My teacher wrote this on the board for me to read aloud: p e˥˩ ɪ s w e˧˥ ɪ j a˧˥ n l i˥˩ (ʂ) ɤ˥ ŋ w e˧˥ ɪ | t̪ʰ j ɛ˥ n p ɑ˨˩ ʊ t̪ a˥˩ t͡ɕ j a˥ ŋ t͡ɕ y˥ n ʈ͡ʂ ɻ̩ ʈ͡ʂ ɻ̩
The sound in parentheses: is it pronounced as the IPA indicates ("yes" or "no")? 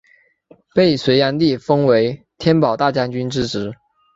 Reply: no